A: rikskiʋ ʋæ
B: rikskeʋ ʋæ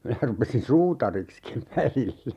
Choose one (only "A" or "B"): A